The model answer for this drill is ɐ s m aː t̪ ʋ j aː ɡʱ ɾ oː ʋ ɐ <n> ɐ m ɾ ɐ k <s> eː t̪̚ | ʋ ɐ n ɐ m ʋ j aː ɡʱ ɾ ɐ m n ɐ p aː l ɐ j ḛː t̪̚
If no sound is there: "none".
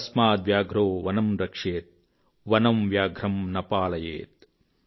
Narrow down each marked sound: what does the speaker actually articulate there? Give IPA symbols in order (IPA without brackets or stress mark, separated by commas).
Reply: n, ʂ